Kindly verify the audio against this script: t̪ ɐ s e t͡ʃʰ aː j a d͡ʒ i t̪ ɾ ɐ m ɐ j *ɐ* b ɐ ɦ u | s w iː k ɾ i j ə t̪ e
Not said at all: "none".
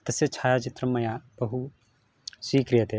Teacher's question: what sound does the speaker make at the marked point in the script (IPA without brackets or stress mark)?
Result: a